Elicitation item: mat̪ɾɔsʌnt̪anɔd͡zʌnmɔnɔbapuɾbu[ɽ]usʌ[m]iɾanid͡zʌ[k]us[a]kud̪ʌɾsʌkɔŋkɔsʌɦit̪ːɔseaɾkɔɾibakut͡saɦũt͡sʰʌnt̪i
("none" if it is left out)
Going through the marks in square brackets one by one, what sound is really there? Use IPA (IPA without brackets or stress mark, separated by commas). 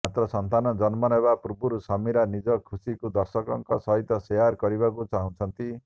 ɾ, m, kʰ, i